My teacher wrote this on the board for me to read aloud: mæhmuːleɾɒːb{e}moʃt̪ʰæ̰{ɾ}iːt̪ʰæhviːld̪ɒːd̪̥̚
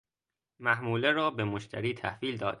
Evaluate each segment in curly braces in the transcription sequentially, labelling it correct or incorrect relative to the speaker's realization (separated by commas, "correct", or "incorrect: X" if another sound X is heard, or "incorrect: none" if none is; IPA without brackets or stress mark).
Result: correct, correct